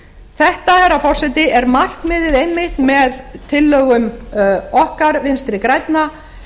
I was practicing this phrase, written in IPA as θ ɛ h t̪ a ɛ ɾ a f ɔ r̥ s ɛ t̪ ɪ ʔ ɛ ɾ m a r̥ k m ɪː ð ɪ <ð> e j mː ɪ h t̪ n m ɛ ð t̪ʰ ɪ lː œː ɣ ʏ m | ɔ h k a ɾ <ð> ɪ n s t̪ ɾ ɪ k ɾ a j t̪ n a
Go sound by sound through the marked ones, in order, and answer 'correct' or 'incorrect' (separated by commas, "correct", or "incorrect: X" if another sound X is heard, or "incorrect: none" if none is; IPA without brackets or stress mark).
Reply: correct, incorrect: v